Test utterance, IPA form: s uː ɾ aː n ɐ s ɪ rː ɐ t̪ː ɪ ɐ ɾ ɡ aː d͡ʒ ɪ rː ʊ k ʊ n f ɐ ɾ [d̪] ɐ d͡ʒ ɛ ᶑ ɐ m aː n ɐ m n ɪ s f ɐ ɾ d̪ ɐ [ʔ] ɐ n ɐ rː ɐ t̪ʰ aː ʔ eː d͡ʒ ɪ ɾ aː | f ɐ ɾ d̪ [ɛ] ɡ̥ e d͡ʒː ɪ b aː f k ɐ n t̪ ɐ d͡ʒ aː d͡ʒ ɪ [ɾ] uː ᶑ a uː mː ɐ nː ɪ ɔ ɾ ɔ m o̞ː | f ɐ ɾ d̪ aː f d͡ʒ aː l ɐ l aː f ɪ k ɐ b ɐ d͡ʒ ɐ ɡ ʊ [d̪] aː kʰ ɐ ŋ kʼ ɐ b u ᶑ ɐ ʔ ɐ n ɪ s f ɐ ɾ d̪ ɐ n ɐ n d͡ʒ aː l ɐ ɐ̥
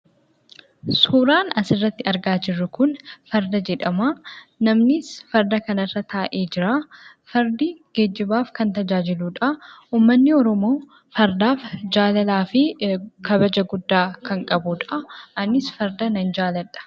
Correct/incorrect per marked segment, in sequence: correct, incorrect: k, incorrect: i, incorrect: l, incorrect: d̪ː

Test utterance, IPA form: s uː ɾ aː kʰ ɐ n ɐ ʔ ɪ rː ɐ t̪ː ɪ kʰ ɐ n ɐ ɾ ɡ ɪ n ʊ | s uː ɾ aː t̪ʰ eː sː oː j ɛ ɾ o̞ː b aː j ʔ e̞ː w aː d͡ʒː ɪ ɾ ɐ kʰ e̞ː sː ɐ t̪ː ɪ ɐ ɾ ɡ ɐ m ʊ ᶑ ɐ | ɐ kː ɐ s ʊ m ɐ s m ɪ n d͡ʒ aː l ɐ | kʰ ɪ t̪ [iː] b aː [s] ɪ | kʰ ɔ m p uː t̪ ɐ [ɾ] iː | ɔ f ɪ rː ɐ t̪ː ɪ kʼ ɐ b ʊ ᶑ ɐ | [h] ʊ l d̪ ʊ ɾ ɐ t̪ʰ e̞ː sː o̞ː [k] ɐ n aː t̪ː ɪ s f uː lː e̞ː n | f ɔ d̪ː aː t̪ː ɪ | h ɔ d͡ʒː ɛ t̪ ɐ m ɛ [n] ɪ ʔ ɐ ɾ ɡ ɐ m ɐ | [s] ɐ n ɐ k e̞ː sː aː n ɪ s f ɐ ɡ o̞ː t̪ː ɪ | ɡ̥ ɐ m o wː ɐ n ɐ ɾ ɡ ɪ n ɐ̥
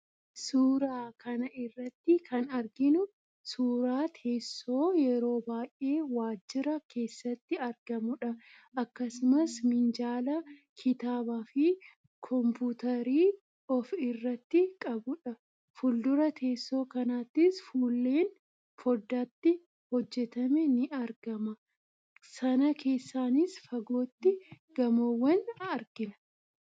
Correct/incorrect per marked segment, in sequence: incorrect: aː, incorrect: f, correct, incorrect: f, correct, correct, correct

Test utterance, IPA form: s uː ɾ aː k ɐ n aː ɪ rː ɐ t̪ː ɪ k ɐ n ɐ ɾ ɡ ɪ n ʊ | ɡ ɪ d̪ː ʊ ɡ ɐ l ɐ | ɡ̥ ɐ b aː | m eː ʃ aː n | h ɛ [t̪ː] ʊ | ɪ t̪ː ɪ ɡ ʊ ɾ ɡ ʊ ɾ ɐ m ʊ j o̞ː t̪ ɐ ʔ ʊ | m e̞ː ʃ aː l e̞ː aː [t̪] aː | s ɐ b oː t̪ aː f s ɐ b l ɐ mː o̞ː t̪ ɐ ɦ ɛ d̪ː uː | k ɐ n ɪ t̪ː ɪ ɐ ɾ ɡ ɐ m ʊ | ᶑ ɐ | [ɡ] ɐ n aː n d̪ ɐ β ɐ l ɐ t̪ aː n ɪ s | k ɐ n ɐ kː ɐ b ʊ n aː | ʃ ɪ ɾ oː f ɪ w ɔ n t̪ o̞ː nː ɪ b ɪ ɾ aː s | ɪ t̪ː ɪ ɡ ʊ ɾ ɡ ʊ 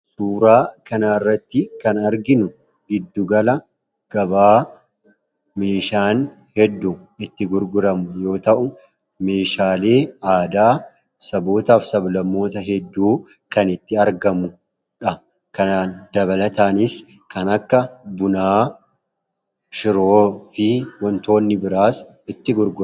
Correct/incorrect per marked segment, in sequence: incorrect: d̪ː, incorrect: d̪, incorrect: k

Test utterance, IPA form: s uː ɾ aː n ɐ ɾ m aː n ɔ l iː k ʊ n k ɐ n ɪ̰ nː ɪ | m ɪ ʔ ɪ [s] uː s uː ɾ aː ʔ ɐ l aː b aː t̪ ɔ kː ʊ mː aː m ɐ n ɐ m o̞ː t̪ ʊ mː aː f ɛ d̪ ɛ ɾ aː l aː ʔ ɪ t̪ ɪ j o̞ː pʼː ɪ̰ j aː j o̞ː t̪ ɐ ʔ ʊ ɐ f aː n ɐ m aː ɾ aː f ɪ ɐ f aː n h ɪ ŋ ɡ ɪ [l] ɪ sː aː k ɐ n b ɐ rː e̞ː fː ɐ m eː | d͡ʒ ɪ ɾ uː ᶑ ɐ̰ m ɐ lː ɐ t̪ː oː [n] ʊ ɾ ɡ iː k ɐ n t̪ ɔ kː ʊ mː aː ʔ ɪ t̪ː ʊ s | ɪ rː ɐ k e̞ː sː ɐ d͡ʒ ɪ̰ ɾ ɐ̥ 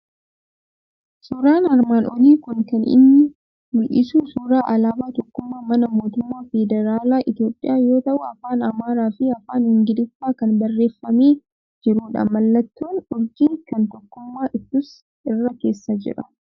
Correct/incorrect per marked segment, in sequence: correct, correct, correct

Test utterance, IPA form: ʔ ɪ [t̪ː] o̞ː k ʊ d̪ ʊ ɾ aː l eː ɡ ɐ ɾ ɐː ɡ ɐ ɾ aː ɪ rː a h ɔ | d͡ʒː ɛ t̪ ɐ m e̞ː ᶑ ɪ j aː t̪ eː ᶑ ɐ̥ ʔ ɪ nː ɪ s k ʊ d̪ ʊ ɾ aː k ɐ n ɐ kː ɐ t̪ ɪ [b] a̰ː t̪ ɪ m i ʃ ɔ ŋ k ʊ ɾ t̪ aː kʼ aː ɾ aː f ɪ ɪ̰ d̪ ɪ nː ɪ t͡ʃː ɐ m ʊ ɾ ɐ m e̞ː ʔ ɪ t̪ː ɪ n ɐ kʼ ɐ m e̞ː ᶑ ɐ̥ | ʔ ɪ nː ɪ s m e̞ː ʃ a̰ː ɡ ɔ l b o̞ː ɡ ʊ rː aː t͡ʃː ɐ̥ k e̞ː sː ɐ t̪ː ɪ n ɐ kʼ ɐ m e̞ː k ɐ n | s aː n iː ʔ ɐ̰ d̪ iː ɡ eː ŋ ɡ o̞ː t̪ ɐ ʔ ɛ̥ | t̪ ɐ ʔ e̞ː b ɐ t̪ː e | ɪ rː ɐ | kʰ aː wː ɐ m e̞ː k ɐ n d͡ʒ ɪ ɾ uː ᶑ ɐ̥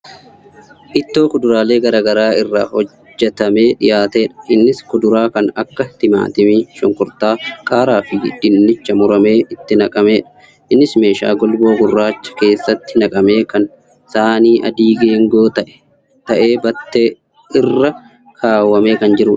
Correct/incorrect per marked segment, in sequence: correct, incorrect: m

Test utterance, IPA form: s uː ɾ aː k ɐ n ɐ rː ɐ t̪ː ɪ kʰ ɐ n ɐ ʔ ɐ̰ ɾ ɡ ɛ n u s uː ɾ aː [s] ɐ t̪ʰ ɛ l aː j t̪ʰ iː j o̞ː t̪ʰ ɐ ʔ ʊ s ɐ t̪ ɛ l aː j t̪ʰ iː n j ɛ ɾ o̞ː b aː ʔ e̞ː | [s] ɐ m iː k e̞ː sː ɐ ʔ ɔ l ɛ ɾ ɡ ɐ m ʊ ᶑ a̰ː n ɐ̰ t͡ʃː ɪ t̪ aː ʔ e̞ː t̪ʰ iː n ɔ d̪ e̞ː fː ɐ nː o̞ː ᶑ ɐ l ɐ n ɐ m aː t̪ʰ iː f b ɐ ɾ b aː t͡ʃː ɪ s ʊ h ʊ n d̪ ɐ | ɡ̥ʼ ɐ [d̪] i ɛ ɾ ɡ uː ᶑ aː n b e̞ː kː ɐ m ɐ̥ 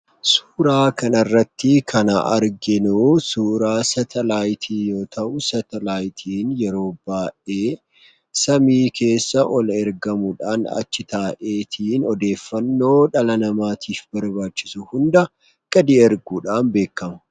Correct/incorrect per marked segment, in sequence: correct, correct, correct

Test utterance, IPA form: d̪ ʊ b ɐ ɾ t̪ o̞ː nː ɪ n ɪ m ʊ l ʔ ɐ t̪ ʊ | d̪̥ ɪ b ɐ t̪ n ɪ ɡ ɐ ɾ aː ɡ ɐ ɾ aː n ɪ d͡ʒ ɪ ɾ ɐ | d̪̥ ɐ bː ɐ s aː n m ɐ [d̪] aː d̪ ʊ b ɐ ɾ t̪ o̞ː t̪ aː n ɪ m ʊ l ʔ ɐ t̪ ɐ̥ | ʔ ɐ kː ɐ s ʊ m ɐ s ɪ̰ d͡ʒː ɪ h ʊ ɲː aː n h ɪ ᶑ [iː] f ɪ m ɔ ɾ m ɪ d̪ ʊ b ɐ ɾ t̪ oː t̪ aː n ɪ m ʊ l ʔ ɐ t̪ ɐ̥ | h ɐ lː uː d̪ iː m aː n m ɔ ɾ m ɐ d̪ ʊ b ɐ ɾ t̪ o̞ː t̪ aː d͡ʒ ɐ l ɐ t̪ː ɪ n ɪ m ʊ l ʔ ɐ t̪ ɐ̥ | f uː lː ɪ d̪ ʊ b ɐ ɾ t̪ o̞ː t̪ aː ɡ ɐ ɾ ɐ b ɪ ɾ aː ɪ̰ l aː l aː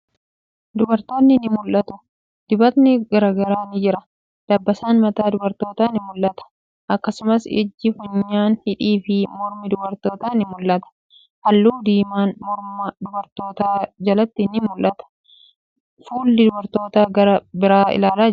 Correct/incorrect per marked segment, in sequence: incorrect: t̪, correct

